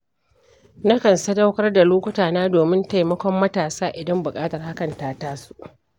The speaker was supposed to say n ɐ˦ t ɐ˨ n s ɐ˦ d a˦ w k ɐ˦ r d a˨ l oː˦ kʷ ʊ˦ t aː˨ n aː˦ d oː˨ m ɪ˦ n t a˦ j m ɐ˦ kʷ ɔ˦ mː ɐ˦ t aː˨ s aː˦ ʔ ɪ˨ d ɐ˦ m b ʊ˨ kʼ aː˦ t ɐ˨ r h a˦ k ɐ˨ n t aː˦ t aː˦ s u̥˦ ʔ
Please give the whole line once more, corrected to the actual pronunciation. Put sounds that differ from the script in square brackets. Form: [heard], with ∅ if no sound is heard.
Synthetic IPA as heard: n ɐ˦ [k] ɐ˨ n s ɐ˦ d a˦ w k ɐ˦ r d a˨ l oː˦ kʷ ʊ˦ t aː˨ n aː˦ d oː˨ m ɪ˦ n t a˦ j m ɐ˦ kʷ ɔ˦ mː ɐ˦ t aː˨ s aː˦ ʔ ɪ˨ d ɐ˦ m b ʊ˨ kʼ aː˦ t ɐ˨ r h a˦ k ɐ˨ n t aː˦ t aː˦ s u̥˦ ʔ